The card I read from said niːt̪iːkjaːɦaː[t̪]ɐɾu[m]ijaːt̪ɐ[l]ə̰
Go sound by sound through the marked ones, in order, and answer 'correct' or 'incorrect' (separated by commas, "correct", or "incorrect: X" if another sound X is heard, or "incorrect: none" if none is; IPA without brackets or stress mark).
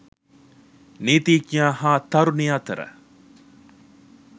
correct, incorrect: n, incorrect: ɾ